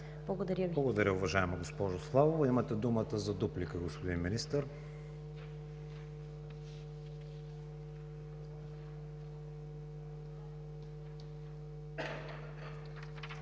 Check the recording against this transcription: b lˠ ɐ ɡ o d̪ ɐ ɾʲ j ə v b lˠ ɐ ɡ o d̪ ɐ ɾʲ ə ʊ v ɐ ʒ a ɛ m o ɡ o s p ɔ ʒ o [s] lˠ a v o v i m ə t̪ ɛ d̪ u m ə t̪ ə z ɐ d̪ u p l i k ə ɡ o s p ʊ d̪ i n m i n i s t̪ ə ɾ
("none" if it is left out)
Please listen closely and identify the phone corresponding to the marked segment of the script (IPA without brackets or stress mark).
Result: s